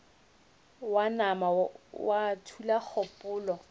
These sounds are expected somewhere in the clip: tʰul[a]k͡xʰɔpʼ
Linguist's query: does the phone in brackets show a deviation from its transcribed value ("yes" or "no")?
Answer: no